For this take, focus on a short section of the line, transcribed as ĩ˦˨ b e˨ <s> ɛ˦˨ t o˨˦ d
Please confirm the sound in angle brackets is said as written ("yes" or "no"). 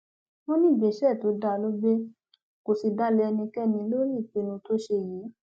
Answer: no